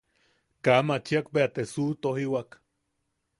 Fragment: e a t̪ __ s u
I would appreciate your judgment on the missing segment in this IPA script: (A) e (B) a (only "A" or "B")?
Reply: A